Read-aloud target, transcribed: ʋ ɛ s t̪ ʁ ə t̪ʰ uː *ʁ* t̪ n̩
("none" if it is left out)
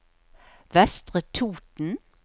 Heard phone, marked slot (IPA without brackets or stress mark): none